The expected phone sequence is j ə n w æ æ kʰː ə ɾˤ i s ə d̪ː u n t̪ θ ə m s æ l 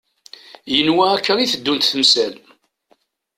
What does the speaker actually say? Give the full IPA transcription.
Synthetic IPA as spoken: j ə n w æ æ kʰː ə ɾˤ i θ ə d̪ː u n t̪ θ ə m s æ l